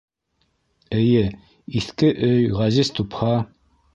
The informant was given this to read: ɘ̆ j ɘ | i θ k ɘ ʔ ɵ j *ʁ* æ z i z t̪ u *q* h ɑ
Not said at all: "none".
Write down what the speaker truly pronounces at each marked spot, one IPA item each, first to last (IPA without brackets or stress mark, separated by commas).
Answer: ʁ, p